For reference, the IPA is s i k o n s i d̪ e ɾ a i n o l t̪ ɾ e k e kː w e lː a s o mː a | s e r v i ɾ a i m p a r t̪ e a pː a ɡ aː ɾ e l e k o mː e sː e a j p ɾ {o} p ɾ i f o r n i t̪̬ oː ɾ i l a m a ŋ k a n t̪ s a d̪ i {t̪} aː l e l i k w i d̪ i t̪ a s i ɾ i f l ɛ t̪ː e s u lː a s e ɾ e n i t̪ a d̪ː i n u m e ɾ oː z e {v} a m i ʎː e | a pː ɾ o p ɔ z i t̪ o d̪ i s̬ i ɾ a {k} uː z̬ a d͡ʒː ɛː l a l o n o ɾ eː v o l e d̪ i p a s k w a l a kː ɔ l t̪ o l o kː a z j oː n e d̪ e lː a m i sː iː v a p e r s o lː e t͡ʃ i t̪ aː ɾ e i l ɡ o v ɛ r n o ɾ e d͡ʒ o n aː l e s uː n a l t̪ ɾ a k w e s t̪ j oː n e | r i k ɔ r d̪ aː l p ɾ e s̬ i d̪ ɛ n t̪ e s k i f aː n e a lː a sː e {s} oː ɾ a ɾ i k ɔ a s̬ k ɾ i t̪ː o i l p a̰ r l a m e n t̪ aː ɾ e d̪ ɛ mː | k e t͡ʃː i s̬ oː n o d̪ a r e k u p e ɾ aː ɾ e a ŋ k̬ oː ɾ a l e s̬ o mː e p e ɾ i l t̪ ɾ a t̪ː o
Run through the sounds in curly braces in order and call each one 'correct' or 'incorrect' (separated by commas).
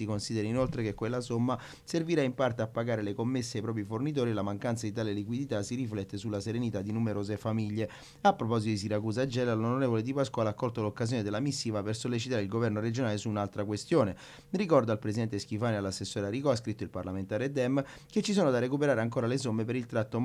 incorrect, correct, incorrect, correct, incorrect